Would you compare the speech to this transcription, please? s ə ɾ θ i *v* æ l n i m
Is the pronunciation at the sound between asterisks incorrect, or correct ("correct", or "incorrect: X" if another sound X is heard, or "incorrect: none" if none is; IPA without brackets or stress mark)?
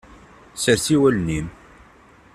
incorrect: w